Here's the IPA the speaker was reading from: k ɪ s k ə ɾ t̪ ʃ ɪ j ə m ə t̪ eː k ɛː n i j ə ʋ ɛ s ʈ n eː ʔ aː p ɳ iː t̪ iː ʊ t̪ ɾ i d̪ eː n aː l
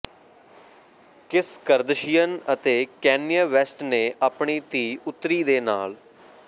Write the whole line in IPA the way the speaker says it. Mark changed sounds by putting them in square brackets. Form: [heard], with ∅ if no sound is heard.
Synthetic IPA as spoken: k ɪ s k ə ɾ [d̪] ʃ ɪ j ə [n] ə t̪ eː k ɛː n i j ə ʋ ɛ s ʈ n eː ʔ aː p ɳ iː t̪ iː ʊ t̪ ɾ [iː] d̪ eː n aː l